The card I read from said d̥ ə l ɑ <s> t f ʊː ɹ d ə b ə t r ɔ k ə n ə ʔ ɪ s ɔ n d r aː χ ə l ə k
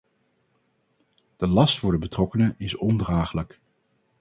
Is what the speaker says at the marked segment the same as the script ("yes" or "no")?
yes